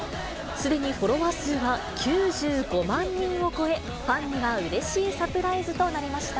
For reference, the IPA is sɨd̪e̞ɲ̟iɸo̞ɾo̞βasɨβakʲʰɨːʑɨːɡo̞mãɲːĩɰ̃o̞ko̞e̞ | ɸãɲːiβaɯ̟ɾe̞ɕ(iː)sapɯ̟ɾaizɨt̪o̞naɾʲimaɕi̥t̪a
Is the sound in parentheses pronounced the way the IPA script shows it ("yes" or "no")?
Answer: yes